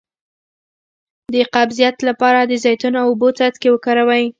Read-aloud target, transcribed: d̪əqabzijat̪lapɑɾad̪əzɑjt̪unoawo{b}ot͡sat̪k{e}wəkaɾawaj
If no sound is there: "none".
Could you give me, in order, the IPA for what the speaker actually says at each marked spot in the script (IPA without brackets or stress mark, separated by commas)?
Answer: b, e